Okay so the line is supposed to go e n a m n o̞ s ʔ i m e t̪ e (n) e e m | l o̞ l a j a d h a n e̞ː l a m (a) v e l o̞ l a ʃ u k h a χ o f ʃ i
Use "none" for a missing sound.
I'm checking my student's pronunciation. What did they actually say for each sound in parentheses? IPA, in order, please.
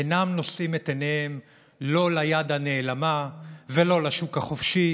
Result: n, a

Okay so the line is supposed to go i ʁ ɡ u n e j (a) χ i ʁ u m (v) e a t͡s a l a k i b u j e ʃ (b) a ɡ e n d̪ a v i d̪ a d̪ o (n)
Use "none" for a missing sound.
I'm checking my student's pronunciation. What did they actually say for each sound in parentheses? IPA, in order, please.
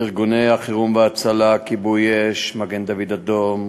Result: a, v, m, m

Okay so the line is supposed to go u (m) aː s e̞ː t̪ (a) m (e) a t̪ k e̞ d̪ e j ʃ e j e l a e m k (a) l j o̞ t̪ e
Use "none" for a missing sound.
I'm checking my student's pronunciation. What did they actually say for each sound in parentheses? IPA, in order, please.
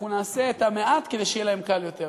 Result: n, a, e, a

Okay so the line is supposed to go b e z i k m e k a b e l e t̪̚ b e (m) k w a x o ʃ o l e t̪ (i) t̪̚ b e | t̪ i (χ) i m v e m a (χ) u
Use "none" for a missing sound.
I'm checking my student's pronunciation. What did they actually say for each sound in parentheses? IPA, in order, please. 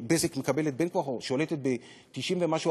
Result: n, e, ʃ, ʃ

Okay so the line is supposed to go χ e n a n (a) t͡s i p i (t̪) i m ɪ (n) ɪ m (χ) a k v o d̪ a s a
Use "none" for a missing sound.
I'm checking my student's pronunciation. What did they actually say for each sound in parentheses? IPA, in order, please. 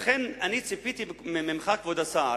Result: i, t̪, m, χ

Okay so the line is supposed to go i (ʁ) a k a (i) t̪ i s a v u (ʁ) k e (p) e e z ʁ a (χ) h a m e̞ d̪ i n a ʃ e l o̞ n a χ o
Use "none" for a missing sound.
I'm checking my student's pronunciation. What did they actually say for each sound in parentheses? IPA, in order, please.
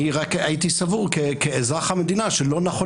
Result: ʁ, i, ʁ, k, χ

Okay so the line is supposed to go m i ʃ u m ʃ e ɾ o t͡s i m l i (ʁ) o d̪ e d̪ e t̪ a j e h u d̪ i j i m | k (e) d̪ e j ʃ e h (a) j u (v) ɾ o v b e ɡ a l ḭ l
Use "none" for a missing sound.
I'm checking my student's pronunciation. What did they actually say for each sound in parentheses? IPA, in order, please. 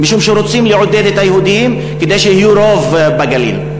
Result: ʕ, e, i, none

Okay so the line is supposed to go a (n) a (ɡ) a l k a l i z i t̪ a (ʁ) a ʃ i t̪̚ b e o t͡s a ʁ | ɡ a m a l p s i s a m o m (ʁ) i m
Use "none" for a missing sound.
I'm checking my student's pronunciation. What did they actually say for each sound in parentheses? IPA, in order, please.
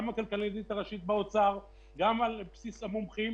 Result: m, k, ʁ, χ

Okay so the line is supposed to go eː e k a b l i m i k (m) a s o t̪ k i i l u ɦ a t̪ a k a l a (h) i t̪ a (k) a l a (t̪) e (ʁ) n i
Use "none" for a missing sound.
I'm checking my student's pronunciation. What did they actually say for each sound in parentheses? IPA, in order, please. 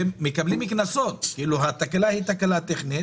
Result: n, h, k, t̪, χ

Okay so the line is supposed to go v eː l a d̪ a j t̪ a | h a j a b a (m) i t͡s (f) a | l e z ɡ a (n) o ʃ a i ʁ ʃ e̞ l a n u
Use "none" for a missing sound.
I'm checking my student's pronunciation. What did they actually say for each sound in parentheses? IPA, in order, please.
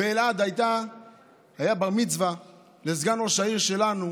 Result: m, v, n

